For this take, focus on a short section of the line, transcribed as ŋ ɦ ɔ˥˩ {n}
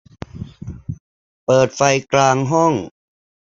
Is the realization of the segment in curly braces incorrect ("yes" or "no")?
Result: yes